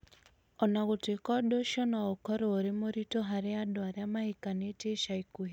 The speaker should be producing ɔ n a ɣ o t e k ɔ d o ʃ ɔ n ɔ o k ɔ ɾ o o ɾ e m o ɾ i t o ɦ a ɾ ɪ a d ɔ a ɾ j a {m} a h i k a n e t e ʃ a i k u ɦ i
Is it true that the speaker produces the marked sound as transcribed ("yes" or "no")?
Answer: yes